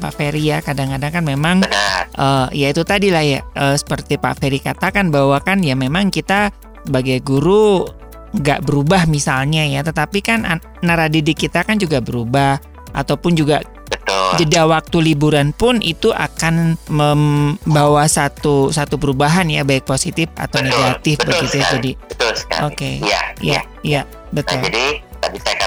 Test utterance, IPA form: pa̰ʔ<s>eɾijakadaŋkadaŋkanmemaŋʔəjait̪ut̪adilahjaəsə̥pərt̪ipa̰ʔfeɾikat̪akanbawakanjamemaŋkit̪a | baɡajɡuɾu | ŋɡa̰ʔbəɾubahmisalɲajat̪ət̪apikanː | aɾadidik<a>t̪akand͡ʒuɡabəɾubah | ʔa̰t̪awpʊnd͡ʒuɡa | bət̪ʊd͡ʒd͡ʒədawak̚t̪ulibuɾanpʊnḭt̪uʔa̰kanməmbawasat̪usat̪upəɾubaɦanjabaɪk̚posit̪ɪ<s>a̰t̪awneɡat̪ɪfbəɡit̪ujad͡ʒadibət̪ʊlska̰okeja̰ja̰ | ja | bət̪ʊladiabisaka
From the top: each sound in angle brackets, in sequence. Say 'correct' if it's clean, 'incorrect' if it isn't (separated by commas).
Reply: incorrect, incorrect, incorrect